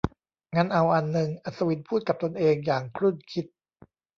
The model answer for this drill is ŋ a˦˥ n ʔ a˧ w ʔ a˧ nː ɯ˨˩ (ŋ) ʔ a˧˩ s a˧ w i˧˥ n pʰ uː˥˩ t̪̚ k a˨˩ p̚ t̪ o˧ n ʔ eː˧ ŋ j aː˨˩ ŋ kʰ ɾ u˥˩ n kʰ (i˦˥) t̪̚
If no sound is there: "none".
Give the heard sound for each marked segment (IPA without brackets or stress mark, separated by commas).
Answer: ŋ, i˦˥